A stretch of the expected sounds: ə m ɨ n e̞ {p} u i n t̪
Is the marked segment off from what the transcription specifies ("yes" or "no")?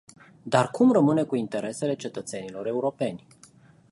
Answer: yes